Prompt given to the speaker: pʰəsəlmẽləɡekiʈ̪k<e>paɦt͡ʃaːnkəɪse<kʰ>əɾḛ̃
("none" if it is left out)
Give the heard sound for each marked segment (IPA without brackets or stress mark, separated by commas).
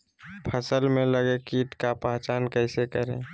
a, k